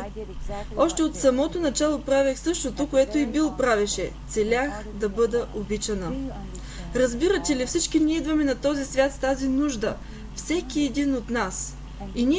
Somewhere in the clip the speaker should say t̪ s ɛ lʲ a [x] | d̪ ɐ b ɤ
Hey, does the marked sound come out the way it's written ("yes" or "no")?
yes